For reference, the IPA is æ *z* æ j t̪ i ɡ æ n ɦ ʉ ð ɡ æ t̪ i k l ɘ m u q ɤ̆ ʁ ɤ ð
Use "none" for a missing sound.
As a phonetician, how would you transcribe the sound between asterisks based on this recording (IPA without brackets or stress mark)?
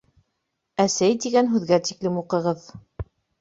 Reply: s